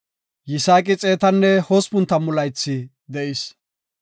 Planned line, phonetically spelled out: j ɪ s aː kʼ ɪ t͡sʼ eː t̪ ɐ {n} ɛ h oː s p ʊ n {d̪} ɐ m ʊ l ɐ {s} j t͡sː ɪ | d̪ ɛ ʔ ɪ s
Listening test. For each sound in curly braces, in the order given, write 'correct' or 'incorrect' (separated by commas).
incorrect, incorrect, incorrect